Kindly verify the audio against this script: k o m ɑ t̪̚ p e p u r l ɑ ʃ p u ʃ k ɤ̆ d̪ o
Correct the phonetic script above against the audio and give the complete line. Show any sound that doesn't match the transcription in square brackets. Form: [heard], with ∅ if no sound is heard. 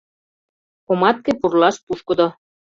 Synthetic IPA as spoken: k o m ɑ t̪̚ [k] e p u r l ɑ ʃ p u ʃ k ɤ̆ d̪ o